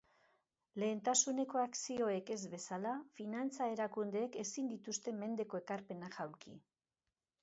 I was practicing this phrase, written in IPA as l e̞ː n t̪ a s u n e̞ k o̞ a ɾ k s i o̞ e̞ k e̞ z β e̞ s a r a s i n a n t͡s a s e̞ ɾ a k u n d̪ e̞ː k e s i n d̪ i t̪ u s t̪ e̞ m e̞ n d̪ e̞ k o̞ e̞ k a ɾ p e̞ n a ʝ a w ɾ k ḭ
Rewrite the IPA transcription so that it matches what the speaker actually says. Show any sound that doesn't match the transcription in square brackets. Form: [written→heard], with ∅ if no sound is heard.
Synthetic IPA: l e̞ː n t̪ a s u n e̞ k o̞ a [ɾ→∅] k s i o̞ e̞ k e̞ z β e̞ s a [r→l] a [s→f] i n a n t͡s a [s→∅] e̞ ɾ a k u n d̪ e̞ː k e s i n d̪ i t̪ u s t̪ e̞ m e̞ n d̪ e̞ k o̞ e̞ k a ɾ p e̞ n a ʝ a w ɾ k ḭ